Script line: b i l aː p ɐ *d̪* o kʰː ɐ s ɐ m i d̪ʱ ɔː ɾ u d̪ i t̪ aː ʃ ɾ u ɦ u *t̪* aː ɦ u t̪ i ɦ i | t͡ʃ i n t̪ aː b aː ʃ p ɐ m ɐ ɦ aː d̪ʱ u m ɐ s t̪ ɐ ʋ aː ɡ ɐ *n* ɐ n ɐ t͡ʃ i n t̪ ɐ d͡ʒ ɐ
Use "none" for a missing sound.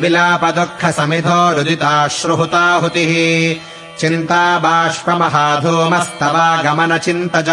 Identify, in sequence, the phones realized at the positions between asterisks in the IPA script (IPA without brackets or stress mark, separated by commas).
d̪, t̪, m